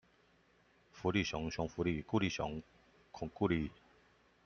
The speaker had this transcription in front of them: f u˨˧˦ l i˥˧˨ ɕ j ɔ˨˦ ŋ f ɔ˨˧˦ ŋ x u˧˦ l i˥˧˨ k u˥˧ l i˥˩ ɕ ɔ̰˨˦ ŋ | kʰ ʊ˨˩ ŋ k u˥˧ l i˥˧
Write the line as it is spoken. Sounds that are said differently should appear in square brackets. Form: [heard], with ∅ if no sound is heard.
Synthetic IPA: f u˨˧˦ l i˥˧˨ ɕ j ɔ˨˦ ŋ [ɕ] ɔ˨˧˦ ŋ [f] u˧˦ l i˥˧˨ k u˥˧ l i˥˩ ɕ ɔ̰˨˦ ŋ | kʰ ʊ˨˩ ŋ k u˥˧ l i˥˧